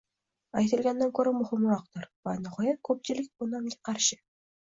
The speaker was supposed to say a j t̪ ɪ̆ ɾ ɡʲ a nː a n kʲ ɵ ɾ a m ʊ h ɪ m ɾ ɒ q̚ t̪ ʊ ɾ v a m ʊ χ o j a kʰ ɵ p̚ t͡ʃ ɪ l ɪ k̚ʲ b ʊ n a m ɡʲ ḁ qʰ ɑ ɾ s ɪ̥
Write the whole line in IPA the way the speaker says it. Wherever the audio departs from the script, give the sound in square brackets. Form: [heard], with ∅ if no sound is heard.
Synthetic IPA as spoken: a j t̪ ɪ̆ [l] ɡʲ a nː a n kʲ ɵ ɾ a m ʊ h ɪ m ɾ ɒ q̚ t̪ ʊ ɾ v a [n] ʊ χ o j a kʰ ɵ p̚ t͡ʃ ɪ l ɪ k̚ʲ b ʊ n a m ɡʲ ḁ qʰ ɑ ɾ [ʃ] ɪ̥